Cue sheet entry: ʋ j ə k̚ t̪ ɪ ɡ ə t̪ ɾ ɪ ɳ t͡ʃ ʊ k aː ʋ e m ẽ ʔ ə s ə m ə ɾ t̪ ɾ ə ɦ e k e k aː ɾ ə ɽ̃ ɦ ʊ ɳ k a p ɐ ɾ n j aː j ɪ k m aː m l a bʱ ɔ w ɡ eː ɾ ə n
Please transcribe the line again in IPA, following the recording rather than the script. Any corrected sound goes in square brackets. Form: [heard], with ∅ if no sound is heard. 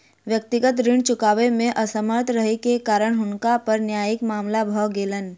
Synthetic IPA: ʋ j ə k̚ t̪ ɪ ɡ ə t̪ ɾ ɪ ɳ t͡ʃ ʊ k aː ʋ e m ẽ ʔ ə s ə m ə ɾ t̪ ɾ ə ɦ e k e k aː ɾ ə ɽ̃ ɦ ʊ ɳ k a p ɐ ɾ n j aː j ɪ k m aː m l a bʱ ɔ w ɡ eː [l] ə n